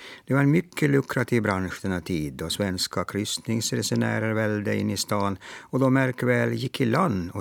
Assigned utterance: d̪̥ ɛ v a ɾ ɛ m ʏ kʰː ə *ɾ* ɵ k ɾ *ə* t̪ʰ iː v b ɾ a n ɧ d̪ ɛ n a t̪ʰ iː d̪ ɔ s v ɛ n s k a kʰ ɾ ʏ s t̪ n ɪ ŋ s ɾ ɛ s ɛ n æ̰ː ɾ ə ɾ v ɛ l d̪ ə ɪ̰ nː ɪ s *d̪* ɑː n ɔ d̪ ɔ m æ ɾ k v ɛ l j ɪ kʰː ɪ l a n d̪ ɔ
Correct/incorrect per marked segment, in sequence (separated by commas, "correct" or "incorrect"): incorrect, incorrect, incorrect